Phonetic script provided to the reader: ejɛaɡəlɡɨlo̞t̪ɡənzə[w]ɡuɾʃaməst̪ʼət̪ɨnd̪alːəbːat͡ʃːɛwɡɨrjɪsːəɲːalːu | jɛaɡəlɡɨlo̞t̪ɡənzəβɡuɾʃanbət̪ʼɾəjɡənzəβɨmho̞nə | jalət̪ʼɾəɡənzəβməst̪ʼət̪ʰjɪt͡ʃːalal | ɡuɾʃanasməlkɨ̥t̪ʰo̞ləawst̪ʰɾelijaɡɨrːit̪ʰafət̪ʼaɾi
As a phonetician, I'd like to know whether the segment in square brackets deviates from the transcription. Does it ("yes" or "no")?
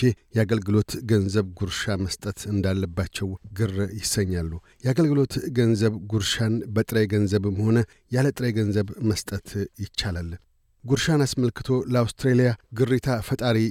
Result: yes